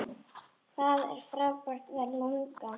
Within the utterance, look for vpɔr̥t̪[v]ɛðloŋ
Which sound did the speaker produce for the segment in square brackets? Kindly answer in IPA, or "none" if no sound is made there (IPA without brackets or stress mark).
v